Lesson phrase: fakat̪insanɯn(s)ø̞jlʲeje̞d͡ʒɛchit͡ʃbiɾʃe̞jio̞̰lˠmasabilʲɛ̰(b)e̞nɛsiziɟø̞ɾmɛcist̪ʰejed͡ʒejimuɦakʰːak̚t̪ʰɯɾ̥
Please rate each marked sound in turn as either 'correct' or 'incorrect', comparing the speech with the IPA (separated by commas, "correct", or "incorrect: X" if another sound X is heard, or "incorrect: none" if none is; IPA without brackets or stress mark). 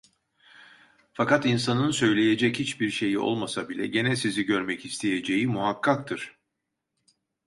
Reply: correct, incorrect: ɟ